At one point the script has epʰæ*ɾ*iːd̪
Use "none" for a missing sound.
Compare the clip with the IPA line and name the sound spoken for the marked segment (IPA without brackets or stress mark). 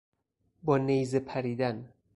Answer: ɾ